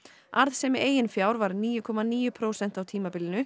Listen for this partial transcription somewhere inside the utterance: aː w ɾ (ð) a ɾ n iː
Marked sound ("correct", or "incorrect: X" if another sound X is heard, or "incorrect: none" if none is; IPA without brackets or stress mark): incorrect: v